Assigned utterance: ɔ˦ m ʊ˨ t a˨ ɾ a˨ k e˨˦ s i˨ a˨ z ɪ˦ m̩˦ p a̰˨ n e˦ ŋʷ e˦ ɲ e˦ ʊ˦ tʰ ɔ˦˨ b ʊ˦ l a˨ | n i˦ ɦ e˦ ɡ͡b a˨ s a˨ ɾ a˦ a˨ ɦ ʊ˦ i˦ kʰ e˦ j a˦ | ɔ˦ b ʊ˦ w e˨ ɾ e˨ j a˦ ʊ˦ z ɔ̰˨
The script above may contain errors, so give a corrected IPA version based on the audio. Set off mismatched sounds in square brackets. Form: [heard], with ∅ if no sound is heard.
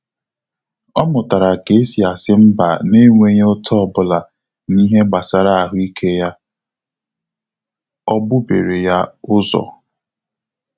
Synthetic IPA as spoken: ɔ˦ m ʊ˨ t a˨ ɾ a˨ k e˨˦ s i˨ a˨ [s] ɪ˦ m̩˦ [b] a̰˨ n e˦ ŋʷ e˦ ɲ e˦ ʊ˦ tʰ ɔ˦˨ b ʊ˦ l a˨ | n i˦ ɦ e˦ ɡ͡b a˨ s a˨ ɾ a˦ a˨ ɦ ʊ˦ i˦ kʰ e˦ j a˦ | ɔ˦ b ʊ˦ [b] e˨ ɾ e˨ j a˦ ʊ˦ z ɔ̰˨